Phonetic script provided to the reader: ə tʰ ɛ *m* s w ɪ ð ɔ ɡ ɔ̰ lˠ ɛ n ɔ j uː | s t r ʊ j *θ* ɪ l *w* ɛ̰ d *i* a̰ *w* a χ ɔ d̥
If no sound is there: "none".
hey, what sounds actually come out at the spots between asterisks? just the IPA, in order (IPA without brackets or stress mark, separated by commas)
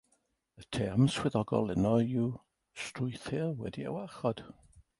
m, θ, w, i, w